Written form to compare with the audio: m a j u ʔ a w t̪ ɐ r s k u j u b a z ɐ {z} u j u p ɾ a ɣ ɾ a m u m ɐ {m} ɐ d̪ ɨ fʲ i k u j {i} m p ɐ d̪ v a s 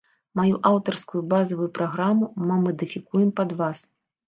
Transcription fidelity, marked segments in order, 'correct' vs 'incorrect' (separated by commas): incorrect, correct, incorrect